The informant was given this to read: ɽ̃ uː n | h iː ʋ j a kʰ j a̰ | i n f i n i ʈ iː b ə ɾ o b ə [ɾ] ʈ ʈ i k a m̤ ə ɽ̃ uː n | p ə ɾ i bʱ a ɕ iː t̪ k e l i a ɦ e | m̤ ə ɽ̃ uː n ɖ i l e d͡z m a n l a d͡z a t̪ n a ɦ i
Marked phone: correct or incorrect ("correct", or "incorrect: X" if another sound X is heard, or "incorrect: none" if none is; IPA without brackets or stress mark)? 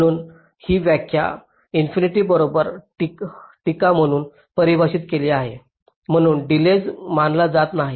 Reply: correct